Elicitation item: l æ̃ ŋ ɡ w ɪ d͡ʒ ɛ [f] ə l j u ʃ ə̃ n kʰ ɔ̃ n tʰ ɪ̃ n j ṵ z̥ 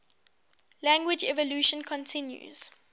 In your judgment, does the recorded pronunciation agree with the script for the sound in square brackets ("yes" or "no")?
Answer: no